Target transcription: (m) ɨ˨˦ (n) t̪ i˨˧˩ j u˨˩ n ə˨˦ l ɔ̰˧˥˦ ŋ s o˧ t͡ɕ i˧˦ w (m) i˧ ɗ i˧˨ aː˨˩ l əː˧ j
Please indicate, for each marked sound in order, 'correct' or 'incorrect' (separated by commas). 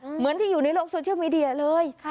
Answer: correct, correct, correct